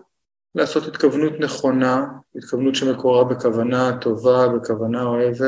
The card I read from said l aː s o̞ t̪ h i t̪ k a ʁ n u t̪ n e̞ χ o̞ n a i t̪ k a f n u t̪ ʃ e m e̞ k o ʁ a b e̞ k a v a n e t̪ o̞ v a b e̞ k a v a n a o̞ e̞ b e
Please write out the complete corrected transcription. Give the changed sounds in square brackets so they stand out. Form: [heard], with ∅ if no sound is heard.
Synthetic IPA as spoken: l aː s o̞ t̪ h i t̪ k a [v] n u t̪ n e̞ χ o̞ n a i t̪ k a [v] n u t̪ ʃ e m e̞ k o ʁ a b e̞ k a v a n [a] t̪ o̞ v a b e̞ k a v a n a o̞ e̞ [v] e